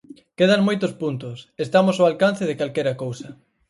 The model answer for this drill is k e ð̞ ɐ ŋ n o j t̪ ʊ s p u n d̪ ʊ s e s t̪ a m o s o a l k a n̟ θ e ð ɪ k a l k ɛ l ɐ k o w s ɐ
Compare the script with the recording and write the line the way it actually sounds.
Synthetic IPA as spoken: k e ð̞ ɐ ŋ m o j t̪ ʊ s p u n t̪ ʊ s e s t̪ a m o s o a l k a n̟ θ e ð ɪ k a l k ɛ ɾ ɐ k o w s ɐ